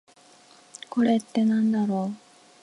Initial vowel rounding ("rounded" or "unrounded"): rounded